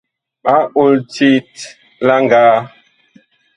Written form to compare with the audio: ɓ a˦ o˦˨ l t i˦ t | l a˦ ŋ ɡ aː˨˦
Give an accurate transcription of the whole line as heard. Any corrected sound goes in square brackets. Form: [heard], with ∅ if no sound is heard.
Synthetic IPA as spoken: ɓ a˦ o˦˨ l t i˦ t | l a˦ ŋ ɡ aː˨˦